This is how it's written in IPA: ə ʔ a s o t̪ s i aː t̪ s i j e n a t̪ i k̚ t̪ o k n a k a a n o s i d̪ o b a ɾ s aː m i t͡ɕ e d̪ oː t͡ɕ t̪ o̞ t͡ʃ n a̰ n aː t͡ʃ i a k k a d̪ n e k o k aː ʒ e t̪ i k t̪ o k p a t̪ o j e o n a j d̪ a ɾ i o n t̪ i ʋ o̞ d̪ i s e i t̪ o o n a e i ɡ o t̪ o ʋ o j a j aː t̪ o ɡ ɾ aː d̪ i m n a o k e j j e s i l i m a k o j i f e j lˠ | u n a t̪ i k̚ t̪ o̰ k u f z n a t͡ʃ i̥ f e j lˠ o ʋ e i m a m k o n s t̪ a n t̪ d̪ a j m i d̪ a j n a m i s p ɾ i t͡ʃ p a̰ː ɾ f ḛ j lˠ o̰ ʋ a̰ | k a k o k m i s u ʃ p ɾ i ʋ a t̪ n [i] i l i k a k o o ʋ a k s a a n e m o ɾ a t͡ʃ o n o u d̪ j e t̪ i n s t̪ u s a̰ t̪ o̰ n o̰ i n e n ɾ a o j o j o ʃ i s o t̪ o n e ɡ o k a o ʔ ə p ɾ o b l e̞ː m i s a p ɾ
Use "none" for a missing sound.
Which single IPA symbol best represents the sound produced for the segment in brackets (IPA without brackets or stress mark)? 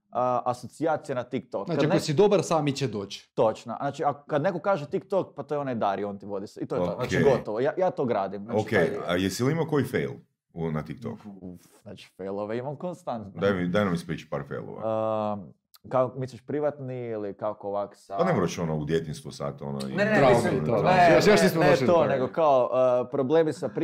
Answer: i